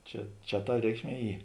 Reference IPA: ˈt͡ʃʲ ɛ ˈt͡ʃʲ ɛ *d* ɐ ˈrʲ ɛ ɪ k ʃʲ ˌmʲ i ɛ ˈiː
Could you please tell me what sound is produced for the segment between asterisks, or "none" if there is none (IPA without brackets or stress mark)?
t